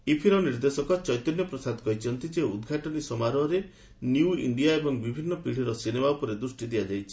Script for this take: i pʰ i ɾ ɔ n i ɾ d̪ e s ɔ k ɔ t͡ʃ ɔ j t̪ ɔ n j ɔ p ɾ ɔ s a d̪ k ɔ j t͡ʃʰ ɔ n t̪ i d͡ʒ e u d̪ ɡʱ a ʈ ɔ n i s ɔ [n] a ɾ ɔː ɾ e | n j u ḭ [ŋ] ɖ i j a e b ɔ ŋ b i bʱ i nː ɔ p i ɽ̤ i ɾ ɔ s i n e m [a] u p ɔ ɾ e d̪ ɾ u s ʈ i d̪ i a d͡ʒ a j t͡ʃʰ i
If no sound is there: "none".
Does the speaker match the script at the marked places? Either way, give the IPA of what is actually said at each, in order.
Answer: m, ɳ, a

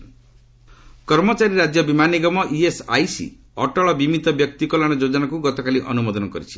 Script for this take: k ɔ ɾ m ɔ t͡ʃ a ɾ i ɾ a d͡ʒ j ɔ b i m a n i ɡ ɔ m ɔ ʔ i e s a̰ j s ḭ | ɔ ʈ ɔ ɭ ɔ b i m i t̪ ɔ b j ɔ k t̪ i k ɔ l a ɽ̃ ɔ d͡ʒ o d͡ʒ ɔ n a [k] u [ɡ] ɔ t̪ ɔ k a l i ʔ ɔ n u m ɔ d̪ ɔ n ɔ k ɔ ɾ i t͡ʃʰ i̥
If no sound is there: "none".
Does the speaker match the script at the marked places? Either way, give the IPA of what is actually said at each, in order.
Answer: k, ɡ

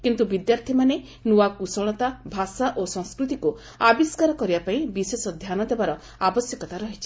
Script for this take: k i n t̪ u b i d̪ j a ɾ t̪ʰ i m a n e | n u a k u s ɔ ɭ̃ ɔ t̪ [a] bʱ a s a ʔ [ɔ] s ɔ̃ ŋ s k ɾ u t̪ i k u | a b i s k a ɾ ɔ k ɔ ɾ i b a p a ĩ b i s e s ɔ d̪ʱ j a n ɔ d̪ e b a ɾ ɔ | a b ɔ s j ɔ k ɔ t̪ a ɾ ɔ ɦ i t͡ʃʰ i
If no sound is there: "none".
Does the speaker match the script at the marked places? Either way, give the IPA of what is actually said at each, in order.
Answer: a, o

